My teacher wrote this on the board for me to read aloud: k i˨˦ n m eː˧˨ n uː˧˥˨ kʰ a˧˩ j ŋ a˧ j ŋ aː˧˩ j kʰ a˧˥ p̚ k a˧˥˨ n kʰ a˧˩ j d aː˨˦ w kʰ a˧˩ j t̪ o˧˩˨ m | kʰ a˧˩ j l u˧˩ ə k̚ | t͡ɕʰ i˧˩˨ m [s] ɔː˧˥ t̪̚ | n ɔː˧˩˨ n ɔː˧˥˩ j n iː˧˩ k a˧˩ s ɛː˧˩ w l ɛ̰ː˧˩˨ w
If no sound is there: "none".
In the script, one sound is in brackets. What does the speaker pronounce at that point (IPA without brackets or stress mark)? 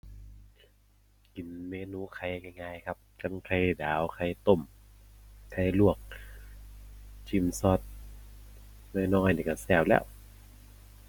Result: s